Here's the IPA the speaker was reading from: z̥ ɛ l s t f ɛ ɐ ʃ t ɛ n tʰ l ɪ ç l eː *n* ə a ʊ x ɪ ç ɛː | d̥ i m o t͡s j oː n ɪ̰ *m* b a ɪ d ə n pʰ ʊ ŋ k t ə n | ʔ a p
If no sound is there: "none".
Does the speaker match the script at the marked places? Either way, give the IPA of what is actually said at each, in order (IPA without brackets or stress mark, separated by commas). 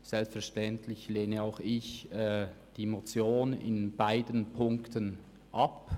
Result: n, n